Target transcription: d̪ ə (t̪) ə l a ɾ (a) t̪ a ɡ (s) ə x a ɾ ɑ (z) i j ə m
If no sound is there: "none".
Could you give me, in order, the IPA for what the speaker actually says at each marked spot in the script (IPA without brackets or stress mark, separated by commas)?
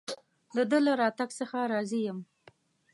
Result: d̪, ɑ, s, z